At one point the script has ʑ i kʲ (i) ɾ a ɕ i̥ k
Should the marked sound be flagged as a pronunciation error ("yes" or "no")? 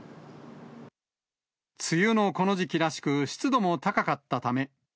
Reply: no